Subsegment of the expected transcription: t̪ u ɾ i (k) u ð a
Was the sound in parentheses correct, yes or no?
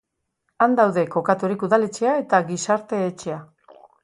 yes